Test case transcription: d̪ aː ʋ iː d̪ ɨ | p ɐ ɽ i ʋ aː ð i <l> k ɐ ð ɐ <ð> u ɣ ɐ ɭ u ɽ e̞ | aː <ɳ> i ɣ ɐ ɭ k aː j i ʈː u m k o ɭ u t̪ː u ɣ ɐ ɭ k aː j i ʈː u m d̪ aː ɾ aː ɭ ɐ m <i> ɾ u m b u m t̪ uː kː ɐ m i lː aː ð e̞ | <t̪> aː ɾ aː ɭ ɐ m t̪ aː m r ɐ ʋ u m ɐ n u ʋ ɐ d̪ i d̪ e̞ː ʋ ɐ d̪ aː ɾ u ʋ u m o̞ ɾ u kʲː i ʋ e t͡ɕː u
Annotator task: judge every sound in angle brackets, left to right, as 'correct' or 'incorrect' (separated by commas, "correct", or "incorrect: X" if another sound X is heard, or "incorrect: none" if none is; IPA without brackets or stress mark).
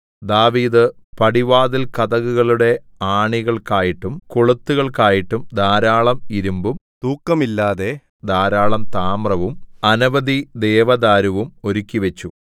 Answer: correct, incorrect: ɣ, correct, correct, incorrect: d̪